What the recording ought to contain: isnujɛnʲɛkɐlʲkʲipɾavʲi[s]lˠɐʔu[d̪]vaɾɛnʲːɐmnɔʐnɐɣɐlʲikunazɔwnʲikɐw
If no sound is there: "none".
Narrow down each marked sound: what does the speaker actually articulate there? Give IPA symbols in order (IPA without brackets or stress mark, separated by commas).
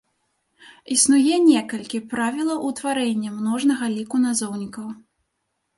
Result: none, t̪